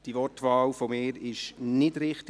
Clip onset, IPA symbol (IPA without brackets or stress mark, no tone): d̥